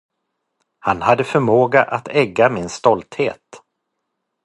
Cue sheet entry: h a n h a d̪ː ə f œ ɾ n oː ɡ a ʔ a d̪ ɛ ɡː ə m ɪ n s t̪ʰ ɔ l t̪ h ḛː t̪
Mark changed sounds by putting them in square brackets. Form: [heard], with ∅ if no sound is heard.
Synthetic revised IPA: h a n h a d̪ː ə f œ ɾ [m] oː ɡ a ʔ a [t̪] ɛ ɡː [a] m ɪ n s [t̪] ɔ l t̪ h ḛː t̪